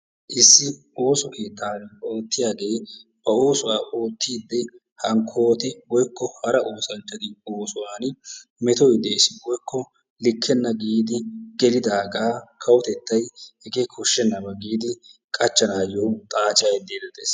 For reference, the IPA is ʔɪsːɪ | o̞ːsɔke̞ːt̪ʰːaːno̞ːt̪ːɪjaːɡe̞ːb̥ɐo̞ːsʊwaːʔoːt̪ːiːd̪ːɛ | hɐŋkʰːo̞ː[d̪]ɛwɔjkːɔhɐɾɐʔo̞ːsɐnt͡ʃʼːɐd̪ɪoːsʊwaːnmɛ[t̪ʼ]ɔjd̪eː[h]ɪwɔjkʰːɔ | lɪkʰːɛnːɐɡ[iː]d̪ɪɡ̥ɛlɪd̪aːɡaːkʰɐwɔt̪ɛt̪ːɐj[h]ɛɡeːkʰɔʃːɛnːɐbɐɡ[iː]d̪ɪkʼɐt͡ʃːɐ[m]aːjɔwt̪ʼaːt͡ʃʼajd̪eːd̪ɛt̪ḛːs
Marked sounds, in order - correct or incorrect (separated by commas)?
incorrect, incorrect, incorrect, correct, correct, correct, incorrect